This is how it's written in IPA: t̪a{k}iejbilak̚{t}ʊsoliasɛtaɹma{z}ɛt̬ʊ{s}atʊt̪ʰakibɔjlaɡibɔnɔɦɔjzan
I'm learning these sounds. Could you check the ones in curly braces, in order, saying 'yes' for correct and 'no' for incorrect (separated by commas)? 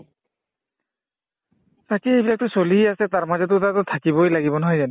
yes, yes, yes, no